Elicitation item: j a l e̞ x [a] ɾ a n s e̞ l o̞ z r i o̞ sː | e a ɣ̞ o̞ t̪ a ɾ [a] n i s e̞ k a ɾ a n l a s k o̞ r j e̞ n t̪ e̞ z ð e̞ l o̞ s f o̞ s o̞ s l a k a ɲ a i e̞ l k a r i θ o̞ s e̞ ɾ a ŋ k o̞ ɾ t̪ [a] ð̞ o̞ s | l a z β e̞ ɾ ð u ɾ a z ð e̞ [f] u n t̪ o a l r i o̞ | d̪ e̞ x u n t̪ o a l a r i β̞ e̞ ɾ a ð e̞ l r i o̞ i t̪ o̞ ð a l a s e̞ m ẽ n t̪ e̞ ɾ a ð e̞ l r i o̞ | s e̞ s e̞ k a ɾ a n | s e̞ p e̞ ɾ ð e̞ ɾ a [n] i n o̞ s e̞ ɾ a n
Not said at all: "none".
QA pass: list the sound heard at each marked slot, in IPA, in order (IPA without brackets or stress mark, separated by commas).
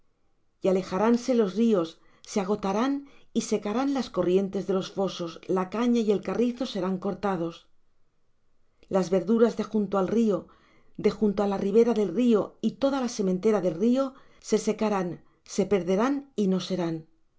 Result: a, a, a, x, n